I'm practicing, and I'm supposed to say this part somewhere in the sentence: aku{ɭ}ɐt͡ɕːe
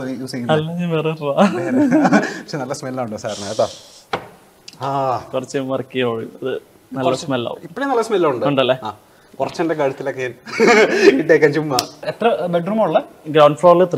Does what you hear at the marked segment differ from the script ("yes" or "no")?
yes